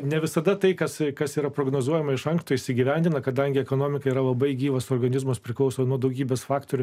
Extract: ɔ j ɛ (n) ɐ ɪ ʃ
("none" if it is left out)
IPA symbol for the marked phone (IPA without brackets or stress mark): m